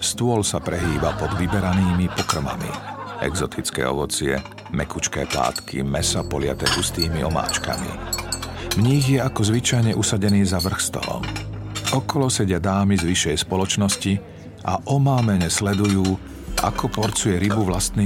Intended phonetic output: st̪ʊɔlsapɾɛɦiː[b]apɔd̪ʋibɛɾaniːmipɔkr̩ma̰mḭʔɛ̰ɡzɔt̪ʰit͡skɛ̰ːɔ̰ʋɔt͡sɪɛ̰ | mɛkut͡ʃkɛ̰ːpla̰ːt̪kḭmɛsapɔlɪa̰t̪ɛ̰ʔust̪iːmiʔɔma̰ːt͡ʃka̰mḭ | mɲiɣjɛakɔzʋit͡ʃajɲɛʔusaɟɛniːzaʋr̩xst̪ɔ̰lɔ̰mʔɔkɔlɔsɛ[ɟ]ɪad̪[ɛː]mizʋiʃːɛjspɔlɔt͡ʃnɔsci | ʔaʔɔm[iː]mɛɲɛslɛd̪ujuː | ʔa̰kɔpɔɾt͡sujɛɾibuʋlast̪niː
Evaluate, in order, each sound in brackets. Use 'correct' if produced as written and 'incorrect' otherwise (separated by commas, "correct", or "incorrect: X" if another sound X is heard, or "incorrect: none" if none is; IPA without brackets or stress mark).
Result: correct, correct, incorrect: aː, incorrect: aː